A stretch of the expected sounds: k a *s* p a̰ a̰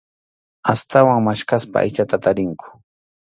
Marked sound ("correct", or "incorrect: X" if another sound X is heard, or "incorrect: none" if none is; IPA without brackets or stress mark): correct